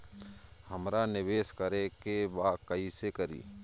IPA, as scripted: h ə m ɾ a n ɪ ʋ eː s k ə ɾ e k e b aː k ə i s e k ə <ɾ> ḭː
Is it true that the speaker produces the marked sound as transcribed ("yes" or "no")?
yes